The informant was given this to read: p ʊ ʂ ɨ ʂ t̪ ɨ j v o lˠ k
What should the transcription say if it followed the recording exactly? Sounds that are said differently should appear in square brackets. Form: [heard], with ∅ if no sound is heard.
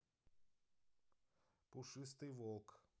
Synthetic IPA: p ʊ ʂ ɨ [s] t̪ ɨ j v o lˠ k